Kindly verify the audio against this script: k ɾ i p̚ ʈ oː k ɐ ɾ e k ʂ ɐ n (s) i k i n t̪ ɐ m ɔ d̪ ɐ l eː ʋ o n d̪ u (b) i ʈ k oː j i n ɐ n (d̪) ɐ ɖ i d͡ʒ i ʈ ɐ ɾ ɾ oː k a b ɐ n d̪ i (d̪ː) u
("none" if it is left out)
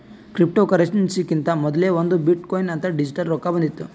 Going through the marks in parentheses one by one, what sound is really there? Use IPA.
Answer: s, b, t̪, t̪ː

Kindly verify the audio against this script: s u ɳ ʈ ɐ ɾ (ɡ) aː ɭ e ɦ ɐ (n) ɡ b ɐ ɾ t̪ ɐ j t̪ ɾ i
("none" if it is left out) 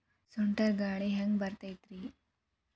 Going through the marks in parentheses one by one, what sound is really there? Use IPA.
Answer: ɡ, ŋ

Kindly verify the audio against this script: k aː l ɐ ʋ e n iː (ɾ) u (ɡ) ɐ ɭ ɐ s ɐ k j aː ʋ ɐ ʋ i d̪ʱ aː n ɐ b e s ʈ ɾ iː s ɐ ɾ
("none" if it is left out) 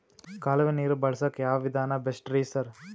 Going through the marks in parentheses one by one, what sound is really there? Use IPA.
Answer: ɾ, b

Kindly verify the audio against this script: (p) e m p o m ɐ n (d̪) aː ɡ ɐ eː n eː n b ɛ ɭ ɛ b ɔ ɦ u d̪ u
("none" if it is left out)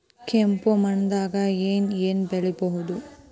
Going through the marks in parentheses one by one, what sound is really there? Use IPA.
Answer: k, d̪

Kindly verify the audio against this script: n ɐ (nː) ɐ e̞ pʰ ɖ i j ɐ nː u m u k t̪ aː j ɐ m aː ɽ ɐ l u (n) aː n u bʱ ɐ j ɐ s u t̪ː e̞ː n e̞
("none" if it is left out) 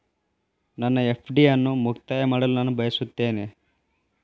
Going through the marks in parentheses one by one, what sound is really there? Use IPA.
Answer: nː, n

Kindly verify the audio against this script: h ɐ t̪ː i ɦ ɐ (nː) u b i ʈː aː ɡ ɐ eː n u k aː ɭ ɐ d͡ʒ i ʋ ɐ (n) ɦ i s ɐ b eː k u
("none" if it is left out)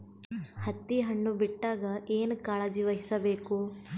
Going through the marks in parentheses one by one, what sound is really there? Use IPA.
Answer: ɳː, none

